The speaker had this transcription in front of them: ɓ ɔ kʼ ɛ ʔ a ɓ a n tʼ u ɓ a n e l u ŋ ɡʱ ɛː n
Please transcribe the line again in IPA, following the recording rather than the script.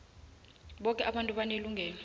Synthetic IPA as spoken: ɓ ɔ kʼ ɛ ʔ a ɓ a n tʼ u ɓ a n e l u ŋ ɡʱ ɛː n

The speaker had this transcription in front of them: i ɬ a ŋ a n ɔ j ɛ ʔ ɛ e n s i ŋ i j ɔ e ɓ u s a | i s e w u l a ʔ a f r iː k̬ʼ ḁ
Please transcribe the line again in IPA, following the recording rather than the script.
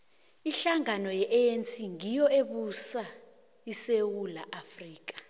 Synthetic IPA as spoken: i ɬ a ŋ a n ɔ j ɛ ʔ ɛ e n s i ŋ i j ɔ e ɓ u s a | i s e w u l a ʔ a f r iː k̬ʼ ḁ

